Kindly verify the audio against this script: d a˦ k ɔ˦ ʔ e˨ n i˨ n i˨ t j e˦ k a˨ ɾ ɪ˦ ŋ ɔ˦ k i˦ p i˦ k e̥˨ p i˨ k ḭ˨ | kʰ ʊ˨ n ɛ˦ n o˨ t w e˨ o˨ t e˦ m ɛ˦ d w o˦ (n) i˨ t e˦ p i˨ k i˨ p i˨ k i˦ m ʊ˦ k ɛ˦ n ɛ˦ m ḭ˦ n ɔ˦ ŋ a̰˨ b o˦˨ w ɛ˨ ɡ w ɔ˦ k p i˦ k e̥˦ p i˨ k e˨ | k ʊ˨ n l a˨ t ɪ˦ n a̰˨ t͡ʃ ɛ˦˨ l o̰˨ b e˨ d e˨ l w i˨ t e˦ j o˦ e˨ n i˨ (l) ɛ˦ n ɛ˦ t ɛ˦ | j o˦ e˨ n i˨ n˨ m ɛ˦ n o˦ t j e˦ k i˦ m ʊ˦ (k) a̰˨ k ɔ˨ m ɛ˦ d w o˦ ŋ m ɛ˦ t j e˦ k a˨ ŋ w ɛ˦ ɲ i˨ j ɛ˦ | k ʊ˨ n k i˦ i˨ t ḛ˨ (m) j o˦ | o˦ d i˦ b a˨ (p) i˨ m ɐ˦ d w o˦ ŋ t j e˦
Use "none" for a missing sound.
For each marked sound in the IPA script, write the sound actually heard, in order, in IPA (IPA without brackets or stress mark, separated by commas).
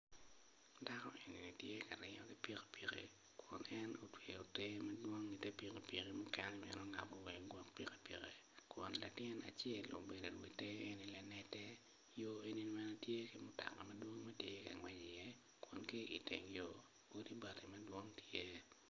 ŋ, l, t, ŋ, t